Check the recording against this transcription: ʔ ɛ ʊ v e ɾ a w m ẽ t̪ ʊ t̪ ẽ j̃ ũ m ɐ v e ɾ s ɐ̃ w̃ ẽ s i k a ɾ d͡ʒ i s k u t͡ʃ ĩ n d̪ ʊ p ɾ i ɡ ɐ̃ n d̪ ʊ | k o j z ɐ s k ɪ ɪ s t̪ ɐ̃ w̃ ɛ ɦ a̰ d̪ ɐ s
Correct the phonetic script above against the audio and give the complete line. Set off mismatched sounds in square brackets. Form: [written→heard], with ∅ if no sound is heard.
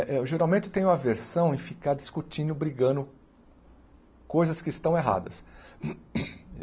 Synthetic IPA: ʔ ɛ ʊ [v→ʒ] e ɾ a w m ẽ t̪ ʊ t̪ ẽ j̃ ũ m ɐ v e ɾ s ɐ̃ w̃ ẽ [s→f] i k a ɾ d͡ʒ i s k u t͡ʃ ĩ n d̪ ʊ [p→b] ɾ i ɡ ɐ̃ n d̪ ʊ | k o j z ɐ s k ɪ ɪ s t̪ ɐ̃ w̃ [ɛ→e] ɦ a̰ d̪ ɐ s